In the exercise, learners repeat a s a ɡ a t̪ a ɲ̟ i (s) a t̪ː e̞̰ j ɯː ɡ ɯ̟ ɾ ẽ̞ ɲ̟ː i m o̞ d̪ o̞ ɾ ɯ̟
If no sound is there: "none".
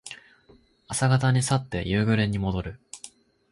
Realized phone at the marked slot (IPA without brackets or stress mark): s